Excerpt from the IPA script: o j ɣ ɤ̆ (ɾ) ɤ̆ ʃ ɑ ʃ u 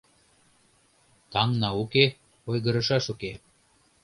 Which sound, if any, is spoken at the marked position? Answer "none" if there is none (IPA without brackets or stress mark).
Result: ɾ